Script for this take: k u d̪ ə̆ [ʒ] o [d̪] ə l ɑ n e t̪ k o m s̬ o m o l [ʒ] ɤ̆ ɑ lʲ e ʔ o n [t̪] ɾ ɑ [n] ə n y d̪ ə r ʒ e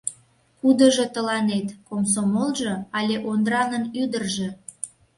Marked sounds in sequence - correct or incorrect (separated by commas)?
correct, incorrect, correct, incorrect, correct